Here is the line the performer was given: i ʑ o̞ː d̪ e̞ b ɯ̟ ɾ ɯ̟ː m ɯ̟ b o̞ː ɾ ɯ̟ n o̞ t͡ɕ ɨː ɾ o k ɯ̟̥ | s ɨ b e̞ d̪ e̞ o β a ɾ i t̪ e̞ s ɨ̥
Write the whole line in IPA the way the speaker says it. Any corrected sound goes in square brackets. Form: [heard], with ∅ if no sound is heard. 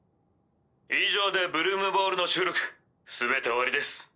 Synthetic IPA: i ʑ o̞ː d̪ e̞ b ɯ̟ ɾ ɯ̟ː m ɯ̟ b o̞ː ɾ ɯ̟ n o̞ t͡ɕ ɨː ɾ o k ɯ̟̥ | s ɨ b e̞ [t̪] e̞ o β a ɾ i [d̪] e̞ s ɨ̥